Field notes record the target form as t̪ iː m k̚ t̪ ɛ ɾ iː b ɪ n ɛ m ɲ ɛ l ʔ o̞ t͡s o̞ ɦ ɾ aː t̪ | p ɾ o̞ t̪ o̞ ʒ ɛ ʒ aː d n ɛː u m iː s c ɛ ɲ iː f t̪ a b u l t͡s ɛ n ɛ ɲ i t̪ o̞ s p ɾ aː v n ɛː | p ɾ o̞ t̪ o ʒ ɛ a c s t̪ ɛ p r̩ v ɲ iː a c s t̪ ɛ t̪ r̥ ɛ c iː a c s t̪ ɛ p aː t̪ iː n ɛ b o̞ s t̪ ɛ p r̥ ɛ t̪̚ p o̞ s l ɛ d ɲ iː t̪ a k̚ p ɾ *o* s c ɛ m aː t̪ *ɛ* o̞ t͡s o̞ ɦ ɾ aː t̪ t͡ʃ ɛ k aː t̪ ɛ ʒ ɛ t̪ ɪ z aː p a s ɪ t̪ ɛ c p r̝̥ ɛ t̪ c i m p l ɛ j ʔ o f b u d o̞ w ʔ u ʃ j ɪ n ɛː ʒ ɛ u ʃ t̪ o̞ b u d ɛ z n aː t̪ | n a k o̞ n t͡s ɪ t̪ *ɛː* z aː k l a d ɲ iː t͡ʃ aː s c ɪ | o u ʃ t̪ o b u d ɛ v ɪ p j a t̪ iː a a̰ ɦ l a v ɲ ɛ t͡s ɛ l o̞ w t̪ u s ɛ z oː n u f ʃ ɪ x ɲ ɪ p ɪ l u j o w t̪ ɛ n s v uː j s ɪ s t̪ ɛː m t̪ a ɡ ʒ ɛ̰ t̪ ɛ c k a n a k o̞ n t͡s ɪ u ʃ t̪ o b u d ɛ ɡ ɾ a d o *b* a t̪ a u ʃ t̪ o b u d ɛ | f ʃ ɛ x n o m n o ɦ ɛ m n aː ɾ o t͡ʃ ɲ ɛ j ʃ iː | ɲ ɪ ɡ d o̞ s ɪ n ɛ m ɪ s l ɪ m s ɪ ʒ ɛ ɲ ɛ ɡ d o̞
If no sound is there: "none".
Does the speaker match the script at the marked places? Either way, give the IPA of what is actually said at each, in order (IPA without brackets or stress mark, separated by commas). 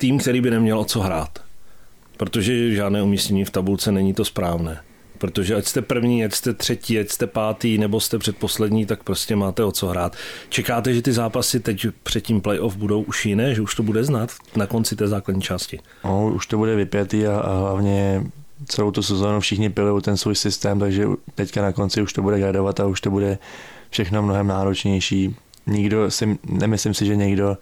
o, ɛ, ɛː, v